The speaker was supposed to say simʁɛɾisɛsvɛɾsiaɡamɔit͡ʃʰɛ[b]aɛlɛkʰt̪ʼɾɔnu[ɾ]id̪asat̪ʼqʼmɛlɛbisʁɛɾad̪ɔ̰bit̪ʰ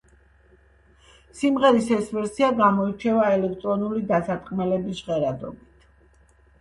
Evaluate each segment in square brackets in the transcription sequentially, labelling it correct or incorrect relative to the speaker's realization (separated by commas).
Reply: incorrect, incorrect